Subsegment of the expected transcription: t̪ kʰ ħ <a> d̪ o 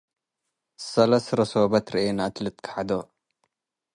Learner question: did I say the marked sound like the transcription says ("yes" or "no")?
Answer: yes